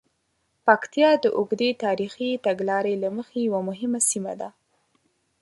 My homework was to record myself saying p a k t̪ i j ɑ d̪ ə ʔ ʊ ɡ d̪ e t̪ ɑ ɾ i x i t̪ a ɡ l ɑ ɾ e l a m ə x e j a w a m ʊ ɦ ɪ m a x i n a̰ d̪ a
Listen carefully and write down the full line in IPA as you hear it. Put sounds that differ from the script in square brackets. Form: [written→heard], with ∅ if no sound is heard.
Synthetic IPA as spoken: p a k t̪ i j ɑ d̪ ə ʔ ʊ ɡ d̪ e t̪ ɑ ɾ i x i t̪ a ɡ l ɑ ɾ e l a m ə x e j a w a m ʊ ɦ ɪ m a [x→s] i [n→m] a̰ d̪ a